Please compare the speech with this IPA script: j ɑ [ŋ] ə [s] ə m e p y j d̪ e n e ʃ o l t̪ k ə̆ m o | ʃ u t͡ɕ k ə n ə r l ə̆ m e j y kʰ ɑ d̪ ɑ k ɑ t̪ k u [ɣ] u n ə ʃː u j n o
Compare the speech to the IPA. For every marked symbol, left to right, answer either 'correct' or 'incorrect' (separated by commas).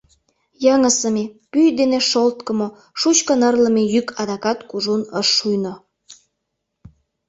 correct, correct, incorrect